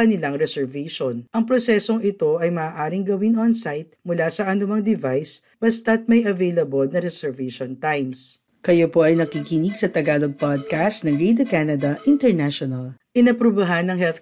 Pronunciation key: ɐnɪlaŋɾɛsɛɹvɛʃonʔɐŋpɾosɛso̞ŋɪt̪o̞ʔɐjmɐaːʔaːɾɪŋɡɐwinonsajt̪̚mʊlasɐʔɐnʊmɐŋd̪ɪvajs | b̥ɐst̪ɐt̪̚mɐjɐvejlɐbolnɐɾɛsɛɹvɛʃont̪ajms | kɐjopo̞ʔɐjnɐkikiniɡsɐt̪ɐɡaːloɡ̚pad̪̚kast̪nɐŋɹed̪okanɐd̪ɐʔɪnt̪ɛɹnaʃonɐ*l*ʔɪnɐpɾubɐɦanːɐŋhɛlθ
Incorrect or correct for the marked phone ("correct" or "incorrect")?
correct